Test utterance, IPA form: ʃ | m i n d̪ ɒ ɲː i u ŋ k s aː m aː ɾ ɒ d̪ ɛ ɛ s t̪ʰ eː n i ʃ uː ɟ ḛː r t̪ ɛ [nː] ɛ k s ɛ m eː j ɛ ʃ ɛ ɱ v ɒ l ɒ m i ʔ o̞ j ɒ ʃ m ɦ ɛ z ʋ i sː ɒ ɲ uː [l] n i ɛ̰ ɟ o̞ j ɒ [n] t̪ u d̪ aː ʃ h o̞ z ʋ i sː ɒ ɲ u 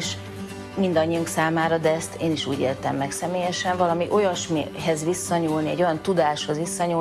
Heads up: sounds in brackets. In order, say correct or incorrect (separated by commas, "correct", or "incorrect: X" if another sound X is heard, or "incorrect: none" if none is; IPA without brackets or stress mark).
incorrect: mː, correct, correct